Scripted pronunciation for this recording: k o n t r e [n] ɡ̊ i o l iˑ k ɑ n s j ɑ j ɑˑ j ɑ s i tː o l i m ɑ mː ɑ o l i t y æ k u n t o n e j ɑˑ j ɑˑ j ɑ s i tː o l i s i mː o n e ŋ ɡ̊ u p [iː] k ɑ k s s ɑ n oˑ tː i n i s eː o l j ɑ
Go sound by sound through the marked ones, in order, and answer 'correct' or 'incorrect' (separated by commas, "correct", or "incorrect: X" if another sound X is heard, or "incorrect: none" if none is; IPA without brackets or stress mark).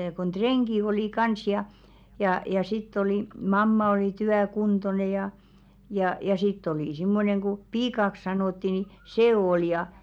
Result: incorrect: ŋ, correct